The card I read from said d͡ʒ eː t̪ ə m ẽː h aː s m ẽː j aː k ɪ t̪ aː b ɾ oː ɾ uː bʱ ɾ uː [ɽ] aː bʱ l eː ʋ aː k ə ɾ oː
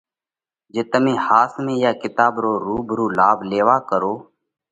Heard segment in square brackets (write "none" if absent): l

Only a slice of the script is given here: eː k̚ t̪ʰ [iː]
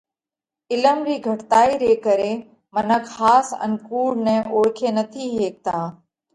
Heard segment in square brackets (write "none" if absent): aː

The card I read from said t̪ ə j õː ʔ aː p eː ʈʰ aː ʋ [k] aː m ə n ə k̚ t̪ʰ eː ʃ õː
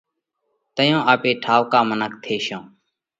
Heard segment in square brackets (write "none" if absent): k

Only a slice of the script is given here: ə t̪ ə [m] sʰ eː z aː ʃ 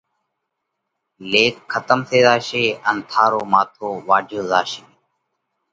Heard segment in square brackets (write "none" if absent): m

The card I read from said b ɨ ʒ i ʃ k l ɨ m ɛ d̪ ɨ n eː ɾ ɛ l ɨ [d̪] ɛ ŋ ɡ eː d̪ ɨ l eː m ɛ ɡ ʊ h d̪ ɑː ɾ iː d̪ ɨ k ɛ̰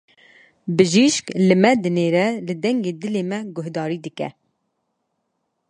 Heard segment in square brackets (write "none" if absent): d̪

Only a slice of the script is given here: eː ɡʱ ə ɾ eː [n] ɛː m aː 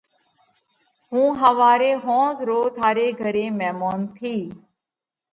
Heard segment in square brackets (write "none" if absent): m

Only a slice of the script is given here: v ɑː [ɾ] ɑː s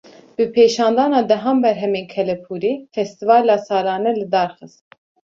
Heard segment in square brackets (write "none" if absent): l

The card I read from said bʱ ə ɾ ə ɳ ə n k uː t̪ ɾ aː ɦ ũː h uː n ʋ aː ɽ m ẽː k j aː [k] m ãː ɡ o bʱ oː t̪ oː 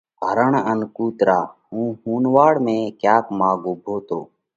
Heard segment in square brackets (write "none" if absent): k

